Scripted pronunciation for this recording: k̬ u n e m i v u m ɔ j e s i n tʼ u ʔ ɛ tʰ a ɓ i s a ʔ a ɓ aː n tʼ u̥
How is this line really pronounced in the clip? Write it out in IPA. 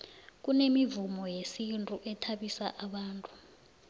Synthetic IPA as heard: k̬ u n e m i v u m ɔ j e s i n tʼ u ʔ ɛ tʰ a ɓ i s a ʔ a ɓ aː n tʼ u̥